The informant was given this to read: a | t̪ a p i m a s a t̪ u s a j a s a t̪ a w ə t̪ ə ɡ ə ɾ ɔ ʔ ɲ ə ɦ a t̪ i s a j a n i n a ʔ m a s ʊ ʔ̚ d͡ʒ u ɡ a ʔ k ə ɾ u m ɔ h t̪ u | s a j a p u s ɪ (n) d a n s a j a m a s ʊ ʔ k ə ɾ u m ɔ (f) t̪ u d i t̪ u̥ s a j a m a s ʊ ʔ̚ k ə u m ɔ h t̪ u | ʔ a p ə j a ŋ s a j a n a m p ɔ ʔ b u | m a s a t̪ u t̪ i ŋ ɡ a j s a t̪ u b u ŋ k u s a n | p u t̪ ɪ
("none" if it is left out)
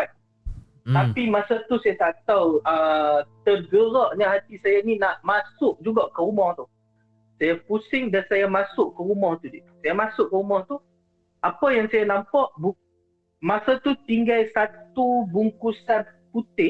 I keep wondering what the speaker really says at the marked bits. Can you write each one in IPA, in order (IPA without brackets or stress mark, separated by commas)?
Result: ŋ, h